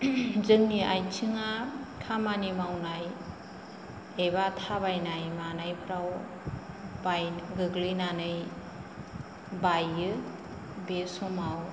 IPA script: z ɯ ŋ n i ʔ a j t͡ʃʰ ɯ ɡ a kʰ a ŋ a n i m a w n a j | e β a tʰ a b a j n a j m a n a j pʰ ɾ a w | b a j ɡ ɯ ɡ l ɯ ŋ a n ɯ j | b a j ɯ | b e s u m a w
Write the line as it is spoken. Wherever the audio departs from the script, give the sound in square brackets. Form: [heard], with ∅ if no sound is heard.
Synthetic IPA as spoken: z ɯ ŋ n i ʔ a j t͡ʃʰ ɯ [ŋ] a kʰ a [m] a n i m a w n a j | e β a tʰ a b a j n a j m a n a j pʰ ɾ a w | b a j ɡ ɯ ɡ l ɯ [n] a n ɯ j | b a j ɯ | b e s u m a w